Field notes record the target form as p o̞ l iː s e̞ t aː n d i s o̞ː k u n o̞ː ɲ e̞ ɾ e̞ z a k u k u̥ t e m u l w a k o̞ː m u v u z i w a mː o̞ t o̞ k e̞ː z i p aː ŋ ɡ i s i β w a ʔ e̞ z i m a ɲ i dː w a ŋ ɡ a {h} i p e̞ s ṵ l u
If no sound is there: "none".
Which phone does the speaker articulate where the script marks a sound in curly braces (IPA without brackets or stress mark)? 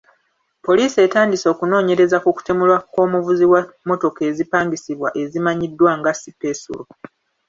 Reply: s